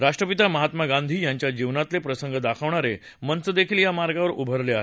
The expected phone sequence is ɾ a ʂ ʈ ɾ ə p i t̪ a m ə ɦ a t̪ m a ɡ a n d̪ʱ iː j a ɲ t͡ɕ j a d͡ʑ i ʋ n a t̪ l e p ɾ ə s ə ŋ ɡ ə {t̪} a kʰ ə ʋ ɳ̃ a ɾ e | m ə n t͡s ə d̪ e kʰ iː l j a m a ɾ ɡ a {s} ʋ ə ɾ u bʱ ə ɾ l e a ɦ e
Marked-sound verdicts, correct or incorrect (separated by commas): incorrect, incorrect